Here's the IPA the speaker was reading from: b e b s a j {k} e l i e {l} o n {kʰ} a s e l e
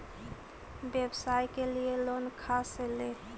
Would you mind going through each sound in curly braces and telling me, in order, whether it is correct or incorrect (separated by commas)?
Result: correct, correct, correct